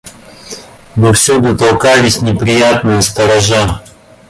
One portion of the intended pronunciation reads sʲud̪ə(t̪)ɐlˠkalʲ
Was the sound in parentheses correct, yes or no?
yes